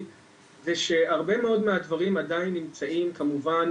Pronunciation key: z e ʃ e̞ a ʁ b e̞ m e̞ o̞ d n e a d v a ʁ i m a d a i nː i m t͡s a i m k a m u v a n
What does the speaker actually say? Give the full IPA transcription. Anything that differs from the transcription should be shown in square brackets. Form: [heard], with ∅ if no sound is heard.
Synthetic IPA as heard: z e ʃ e̞ a ʁ b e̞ m e̞ o̞ d [m] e a d v a ʁ i m a d a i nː i m t͡s a i m k a m u v a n